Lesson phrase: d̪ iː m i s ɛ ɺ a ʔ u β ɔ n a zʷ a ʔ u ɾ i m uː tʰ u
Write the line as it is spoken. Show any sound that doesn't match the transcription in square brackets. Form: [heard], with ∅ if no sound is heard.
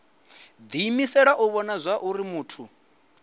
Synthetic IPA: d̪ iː m i s ɛ ɺ a ʔ u β ɔ n a zʷ a ʔ u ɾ i m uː tʰ u